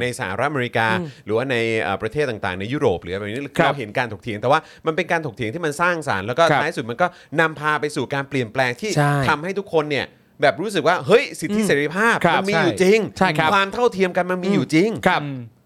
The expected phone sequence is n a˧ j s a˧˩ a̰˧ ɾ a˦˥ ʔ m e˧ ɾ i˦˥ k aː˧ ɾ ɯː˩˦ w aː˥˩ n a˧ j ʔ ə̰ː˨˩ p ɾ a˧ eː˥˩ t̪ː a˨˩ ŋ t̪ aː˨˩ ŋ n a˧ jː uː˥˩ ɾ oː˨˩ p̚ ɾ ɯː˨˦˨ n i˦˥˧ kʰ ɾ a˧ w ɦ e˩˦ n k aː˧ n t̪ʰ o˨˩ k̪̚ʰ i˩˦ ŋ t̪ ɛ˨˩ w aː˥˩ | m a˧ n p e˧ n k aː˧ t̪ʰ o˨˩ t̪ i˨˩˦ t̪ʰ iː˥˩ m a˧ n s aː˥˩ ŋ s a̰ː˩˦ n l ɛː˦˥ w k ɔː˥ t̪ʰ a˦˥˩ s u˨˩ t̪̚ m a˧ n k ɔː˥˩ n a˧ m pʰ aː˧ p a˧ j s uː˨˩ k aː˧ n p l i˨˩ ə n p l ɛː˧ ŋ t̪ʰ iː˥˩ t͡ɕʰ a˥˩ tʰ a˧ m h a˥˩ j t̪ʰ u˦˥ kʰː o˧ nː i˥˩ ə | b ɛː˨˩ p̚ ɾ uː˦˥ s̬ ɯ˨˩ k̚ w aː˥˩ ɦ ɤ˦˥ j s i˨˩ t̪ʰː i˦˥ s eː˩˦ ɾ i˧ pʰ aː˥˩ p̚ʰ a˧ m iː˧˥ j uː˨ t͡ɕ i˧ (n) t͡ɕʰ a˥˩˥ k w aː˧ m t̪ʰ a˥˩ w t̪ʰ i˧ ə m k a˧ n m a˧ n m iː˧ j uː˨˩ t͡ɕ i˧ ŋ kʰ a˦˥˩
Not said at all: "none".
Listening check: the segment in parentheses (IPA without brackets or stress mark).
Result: ŋ